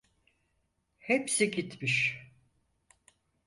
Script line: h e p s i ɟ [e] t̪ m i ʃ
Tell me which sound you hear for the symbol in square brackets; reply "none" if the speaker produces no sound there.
i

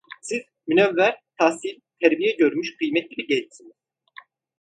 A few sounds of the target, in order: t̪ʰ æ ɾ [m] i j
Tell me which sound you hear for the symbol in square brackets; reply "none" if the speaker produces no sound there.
b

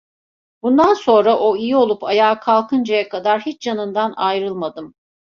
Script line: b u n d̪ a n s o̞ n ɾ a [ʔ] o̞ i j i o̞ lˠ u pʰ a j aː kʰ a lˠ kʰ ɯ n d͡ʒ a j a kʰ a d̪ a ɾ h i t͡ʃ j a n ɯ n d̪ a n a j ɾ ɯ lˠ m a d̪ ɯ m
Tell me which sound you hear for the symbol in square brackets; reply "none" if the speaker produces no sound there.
ʔ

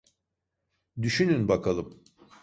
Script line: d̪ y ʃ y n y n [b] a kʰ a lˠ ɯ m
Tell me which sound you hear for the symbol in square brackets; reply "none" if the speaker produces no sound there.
b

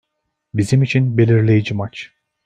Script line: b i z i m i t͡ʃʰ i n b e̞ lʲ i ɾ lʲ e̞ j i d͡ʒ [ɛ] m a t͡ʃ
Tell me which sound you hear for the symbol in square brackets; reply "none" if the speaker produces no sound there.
i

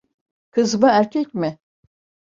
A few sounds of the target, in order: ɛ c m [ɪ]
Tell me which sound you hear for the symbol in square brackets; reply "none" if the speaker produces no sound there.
ɪ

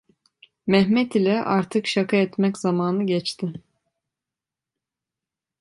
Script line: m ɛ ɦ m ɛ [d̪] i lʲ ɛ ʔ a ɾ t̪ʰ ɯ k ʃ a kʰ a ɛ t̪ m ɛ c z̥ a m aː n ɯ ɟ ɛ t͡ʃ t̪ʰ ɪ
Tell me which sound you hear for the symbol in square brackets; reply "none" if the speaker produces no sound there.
t̪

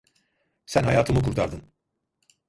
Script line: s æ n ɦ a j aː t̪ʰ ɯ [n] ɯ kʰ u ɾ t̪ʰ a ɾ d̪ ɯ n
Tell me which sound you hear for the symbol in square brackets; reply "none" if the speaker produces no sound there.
m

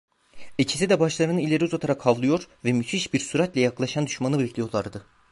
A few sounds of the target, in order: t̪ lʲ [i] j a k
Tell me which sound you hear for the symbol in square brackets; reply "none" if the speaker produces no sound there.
ɛ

